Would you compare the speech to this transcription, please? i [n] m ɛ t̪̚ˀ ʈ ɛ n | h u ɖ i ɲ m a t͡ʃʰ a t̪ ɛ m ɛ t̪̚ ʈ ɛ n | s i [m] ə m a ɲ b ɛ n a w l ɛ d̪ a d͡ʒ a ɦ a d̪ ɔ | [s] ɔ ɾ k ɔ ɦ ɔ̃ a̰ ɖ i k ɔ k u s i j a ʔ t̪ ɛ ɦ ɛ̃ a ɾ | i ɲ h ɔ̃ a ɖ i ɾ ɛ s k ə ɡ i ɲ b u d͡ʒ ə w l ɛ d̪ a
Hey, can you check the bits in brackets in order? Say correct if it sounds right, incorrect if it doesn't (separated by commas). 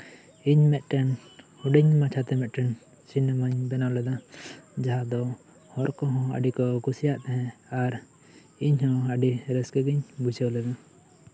incorrect, incorrect, incorrect